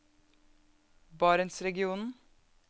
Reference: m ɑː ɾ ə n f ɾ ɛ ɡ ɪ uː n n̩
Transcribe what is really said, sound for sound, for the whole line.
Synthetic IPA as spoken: b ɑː ɾ ə n s ɾ ɛ ɡ ɪ uː n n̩